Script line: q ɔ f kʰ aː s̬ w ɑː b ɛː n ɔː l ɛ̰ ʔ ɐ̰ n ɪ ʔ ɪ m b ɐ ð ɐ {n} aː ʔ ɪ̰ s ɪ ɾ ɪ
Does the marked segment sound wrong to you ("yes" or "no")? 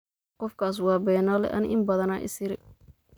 no